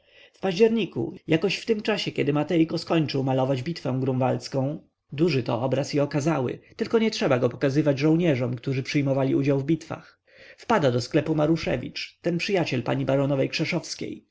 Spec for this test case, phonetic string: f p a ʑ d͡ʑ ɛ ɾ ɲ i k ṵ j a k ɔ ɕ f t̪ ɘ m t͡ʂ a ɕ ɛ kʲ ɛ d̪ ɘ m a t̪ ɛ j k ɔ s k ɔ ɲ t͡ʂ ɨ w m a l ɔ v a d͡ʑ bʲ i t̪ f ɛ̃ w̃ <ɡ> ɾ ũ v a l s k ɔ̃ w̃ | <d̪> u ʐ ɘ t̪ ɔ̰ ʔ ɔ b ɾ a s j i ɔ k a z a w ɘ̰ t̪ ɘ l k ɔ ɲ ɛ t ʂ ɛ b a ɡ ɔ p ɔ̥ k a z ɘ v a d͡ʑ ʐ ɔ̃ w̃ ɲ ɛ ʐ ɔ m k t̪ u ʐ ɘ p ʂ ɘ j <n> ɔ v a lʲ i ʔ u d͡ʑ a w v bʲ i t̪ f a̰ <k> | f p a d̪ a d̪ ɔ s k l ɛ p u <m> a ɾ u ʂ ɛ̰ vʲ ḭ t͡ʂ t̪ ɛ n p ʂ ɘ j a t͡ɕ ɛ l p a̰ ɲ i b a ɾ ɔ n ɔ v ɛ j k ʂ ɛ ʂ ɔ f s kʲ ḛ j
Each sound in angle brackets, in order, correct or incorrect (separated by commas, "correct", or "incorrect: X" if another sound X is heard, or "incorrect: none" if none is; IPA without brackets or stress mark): correct, correct, incorrect: m, incorrect: x, correct